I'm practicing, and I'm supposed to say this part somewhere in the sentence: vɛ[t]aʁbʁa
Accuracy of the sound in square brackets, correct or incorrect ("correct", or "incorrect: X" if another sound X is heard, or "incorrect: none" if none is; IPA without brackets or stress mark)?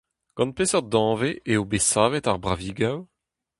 correct